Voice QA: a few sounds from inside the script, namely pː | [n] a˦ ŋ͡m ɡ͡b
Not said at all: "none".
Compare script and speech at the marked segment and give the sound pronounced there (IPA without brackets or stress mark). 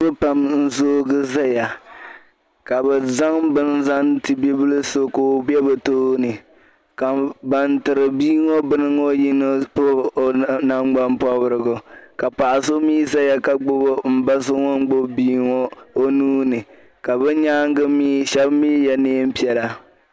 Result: n